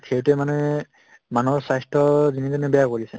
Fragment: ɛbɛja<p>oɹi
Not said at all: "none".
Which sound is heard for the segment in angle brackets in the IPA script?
k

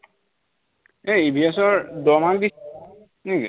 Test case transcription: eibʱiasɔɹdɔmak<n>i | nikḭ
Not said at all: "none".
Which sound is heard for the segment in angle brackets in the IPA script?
d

